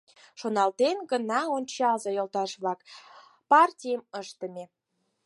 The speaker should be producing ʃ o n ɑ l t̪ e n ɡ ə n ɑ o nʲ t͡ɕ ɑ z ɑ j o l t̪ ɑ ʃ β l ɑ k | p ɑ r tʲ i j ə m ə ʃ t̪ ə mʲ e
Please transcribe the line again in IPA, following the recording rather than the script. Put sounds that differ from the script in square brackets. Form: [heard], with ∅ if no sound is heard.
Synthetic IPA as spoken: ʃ o n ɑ l t̪ e n ɡ ə n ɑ o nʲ t͡ɕ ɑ z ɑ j o l t̪ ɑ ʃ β l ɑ k | p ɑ r tʲ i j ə m ə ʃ t̪ ə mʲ e